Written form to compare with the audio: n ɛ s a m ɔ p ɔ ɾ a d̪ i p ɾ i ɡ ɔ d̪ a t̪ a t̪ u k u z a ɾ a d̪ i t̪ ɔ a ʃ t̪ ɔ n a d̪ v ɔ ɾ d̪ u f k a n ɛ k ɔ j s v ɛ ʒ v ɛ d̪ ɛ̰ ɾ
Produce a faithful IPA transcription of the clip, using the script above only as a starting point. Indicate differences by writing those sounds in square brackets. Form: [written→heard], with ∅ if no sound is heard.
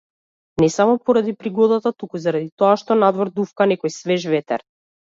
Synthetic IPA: n ɛ s a m ɔ p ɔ ɾ a d̪ i p ɾ i ɡ ɔ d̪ a t̪ a t̪ u k u z a ɾ a d̪ i t̪ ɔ a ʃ t̪ ɔ n a d̪ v ɔ ɾ d̪ u f k a n ɛ k ɔ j s v ɛ ʒ v ɛ [d̪→t̪] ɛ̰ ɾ

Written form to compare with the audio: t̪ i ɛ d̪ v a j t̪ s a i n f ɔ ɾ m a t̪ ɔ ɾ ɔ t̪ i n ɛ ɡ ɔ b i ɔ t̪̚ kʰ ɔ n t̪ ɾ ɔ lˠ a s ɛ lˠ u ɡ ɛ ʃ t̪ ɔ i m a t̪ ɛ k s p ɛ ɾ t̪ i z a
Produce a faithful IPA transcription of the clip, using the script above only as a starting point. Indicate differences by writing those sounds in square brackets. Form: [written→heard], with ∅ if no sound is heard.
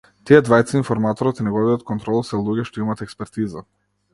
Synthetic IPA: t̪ i ɛ d̪ v a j t̪ s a i n f ɔ ɾ m a t̪ ɔ ɾ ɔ t̪ i n ɛ ɡ ɔ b i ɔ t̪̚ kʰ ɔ n t̪ ɾ ɔ lˠ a s ɛ lˠ u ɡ ɛ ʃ t̪ ɔ i m a t̪ ɛ k s p ɛ ɾ t̪ i z a

